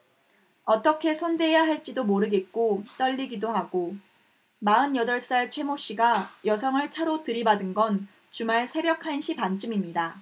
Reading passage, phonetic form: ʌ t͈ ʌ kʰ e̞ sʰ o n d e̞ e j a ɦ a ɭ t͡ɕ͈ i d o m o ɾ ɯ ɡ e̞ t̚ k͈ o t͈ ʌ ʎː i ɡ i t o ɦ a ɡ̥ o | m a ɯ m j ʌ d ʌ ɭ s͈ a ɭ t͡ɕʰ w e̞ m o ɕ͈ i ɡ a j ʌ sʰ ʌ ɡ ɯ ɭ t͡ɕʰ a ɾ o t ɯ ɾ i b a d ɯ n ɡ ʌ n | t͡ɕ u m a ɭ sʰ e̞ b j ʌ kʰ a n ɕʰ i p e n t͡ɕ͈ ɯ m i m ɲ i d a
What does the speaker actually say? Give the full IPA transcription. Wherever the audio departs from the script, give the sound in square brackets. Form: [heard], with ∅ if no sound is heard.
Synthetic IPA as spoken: ʌ t͈ ʌ kʰ e̞ sʰ o n d e̞ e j a ɦ a ɭ t͡ɕ͈ i d o m o ɾ ɯ ɡ e̞ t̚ k͈ o t͈ ʌ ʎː i ɡ i [d] o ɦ a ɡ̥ o | m a ɯ [n] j ʌ d ʌ ɭ s͈ a ɭ t͡ɕʰ w e̞ m o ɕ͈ i ɡ a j ʌ sʰ ʌ [ŋ] ɯ ɭ t͡ɕʰ a ɾ o t ɯ ɾ i b a d ɯ n ɡ ʌ n | t͡ɕ u m a ɭ sʰ e̞ b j ʌ kʰ a n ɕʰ i p [a] n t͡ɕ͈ ɯ m i m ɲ i d a